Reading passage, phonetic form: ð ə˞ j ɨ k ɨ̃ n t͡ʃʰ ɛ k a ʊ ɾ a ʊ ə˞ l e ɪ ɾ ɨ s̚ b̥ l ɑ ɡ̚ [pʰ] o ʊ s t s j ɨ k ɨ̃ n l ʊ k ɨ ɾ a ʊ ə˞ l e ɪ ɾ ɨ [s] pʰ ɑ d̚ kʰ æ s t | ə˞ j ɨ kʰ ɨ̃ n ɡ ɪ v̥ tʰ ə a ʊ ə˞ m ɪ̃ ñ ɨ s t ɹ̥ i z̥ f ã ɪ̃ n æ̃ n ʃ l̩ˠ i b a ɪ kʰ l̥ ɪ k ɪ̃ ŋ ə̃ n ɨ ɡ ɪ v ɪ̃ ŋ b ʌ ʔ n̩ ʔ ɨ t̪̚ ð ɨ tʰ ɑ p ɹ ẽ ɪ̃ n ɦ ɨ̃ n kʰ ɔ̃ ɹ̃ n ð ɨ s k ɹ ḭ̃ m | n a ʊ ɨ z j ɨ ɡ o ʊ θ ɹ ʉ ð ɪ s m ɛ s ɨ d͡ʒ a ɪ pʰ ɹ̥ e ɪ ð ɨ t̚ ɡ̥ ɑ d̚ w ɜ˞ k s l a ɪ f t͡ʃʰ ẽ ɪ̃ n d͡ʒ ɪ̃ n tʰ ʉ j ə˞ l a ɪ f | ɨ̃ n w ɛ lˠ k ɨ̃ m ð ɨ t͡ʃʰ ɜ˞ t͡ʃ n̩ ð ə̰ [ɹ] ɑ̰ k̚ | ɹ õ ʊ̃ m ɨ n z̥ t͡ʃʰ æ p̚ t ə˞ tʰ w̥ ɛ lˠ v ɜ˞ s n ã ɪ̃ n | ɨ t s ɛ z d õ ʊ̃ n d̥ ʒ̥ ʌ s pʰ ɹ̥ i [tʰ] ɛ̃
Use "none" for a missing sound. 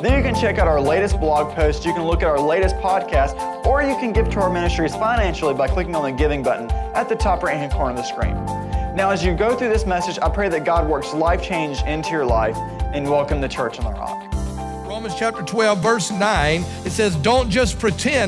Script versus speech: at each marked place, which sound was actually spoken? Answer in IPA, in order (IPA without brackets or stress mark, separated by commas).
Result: pʰ, s, ɹ, tʰ